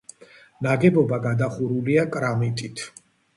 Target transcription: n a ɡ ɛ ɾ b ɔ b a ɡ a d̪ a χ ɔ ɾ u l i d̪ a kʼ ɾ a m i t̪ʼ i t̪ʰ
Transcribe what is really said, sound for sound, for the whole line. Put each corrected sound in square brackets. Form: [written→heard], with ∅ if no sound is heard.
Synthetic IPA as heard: n a ɡ ɛ [ɾ→∅] b ɔ b a ɡ a d̪ a χ [ɔ→u] ɾ u l i [d̪→∅] a kʼ ɾ a m i t̪ʼ i t̪ʰ